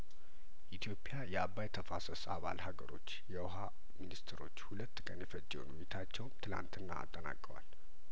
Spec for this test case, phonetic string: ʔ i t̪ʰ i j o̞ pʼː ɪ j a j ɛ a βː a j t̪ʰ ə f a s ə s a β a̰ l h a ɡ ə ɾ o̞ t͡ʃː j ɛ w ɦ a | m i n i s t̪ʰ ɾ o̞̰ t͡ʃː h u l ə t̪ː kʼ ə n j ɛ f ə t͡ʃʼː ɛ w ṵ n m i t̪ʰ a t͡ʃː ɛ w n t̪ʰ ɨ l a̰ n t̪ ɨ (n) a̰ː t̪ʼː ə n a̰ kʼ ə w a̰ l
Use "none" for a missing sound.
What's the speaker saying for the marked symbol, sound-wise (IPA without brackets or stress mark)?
nː